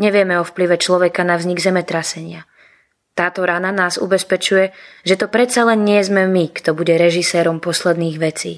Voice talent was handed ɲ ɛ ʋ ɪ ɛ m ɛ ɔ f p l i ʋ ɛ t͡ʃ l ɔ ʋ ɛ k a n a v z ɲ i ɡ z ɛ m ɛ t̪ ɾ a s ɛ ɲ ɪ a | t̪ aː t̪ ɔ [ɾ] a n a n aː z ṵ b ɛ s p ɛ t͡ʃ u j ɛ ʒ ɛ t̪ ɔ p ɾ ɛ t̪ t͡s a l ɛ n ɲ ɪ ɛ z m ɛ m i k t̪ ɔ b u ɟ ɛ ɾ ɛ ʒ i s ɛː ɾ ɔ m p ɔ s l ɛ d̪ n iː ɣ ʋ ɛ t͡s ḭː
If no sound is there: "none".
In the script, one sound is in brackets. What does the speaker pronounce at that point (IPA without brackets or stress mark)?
ɾ